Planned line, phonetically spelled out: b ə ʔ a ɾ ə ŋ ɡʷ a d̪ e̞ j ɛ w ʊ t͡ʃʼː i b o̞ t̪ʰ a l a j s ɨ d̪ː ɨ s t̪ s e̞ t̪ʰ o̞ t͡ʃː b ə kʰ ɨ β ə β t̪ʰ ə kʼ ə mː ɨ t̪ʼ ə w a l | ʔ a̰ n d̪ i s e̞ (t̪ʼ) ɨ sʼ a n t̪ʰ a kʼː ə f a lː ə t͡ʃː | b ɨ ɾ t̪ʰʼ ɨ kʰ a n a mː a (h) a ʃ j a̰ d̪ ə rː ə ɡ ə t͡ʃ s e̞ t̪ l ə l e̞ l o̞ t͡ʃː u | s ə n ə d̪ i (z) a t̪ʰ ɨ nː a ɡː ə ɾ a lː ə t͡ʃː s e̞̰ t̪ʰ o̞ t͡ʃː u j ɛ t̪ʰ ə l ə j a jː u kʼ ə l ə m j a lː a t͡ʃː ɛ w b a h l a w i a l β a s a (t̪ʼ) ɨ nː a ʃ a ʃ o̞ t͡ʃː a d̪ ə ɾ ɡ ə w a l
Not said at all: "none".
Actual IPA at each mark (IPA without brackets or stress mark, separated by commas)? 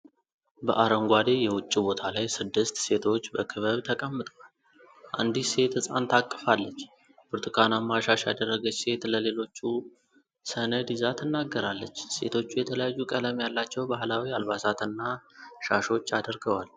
t̪, ʃ, z, t̪